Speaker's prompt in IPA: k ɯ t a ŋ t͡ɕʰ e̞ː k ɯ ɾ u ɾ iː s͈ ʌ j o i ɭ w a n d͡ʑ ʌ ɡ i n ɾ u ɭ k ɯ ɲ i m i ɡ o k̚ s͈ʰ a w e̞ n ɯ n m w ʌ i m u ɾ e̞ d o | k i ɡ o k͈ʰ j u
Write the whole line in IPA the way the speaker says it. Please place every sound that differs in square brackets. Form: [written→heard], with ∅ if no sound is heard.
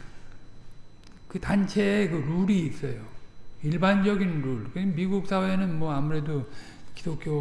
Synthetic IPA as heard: k ɯ t a [ŋ→n] t͡ɕʰ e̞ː k ɯ ɾ u ɾ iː s͈ ʌ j o i ɭ [w→b] a n d͡ʑ ʌ ɡ i n ɾ u ɭ k ɯ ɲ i m i ɡ [o→u] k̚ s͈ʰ a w e̞ n ɯ n m w ʌ [i→a] m u ɾ e̞ d o | k i [ɡ→d] o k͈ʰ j [u→o]

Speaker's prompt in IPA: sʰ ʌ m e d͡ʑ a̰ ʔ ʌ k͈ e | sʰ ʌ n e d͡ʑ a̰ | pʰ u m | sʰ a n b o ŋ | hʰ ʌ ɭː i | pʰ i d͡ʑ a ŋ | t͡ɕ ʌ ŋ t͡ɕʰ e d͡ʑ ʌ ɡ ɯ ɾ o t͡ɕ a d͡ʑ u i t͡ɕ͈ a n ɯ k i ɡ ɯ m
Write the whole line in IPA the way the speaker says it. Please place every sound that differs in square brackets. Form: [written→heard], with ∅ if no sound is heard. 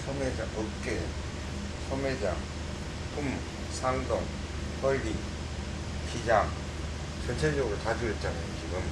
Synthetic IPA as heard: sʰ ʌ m e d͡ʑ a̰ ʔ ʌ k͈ e | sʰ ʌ [n→m] e d͡ʑ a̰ | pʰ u m | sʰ a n [b→d] o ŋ | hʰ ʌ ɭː i | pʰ i d͡ʑ a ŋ | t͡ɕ ʌ [ŋ→n] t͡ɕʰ e d͡ʑ ʌ ɡ ɯ ɾ o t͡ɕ a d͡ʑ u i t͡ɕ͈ a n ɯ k i ɡ ɯ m

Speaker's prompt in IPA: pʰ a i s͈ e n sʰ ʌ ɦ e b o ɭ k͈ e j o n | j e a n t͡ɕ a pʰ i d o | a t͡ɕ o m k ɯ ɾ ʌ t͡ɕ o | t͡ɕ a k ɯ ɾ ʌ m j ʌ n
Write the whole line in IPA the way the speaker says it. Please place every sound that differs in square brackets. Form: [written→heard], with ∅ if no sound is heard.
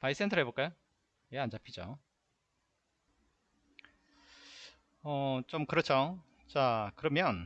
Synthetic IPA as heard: [pʰ→p] a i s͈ e n [sʰ→tʰ] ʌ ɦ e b o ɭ k͈ [e→a] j o [n→∅] | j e a n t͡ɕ a pʰ i [d→d͡ʑ] o | [a→ʌ] t͡ɕ o m k ɯ ɾ ʌ [t͡ɕ→t͡ɕʰ] o | t͡ɕ a k ɯ ɾ ʌ m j ʌ n

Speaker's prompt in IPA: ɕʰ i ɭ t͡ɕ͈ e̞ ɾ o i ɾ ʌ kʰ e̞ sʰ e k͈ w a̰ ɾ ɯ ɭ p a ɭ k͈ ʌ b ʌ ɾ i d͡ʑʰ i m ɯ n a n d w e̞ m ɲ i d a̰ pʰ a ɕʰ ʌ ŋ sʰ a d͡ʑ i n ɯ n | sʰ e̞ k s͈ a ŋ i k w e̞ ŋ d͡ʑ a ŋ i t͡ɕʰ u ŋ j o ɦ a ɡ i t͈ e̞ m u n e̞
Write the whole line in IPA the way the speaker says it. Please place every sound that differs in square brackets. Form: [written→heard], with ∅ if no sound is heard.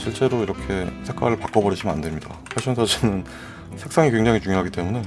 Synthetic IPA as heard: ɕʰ i ɭ t͡ɕ͈ e̞ ɾ o i ɾ ʌ kʰ e̞ sʰ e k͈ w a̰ ɾ ɯ ɭ p a [ɭ→∅] k͈ ʌ b ʌ ɾ i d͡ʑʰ i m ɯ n a n d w e̞ m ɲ i d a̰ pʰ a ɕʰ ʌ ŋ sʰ a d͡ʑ i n ɯ n | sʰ e̞ k s͈ a ŋ i k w e̞ ŋ d͡ʑ a ŋ i [t͡ɕʰ→t͡ɕ] u ŋ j o ɦ a ɡ i t͈ e̞ m u n e̞

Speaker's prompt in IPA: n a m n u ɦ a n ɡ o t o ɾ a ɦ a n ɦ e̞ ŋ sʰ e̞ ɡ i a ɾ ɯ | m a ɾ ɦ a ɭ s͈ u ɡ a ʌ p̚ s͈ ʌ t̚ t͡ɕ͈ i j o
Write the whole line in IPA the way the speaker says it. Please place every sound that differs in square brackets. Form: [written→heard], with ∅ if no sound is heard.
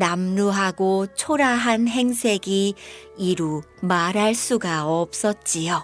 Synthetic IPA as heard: n a m n u ɦ a [n→∅] ɡ o [t→t͡ɕʰ] o ɾ a ɦ a n ɦ e̞ ŋ sʰ e̞ ɡ i [a→i] ɾ [ɯ→u] | m a ɾ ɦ a ɭ s͈ u ɡ a ʌ p̚ s͈ ʌ t̚ t͡ɕ͈ i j o

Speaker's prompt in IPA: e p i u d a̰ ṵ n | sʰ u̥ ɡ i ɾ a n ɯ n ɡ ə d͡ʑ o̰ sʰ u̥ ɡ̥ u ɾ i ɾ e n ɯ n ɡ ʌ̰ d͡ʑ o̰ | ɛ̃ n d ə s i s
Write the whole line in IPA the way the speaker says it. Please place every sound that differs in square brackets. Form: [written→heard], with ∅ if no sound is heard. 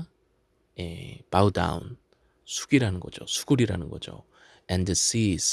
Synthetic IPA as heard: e p [i→a] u d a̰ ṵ n | sʰ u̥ ɡ i ɾ a n ɯ n ɡ [ə→ʌ] d͡ʑ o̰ sʰ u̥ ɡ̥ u ɾ i ɾ [e→a] n ɯ n ɡ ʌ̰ d͡ʑ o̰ | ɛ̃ n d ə s i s

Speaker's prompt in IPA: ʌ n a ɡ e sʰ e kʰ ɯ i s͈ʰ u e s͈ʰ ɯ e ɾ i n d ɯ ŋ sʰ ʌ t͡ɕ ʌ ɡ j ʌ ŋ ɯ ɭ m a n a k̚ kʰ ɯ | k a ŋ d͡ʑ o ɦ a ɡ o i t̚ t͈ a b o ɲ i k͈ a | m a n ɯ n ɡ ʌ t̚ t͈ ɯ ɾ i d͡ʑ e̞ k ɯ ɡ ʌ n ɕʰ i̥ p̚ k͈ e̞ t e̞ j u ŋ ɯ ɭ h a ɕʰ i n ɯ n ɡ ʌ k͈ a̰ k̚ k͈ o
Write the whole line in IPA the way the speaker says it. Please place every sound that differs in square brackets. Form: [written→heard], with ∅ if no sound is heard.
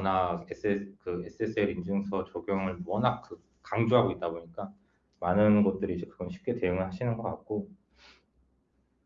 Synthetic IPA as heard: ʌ n a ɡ e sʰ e [kʰ→k] ɯ [i→e] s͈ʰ [u→ɯ] e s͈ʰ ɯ e ɾ i n [d→d͡ʑ] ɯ ŋ sʰ ʌ t͡ɕ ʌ ɡ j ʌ ŋ ɯ ɭ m [a→ʌ] n a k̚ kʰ ɯ | k a ŋ d͡ʑ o ɦ a ɡ o i t̚ t͈ a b o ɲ i k͈ a | m a n ɯ n ɡ ʌ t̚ t͈ ɯ ɾ i d͡ʑ e̞ k ɯ ɡ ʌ n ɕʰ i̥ p̚ k͈ e̞ t e̞ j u ŋ ɯ ɭ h a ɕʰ i n ɯ n ɡ ʌ k͈ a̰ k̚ k͈ o

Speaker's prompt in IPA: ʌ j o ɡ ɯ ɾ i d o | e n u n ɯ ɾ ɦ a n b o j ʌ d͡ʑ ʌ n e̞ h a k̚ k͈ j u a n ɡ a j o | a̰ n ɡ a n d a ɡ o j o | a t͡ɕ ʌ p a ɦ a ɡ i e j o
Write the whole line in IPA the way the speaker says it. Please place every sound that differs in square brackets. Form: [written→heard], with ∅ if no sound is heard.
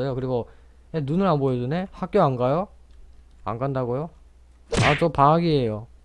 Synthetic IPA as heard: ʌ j o [ɡ→k] ɯ ɾ i [d→ɡ] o | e n u n ɯ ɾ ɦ a n b o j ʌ d͡ʑ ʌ n e̞ h a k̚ k͈ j [u→o] a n ɡ a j o | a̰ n ɡ a n d a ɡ o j o | a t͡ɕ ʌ p a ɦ a ɡ i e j o

